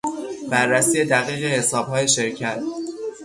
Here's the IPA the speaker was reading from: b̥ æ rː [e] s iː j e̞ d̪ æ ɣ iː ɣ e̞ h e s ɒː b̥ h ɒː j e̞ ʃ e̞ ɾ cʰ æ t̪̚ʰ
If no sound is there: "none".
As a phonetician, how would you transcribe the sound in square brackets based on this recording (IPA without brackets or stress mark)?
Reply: æ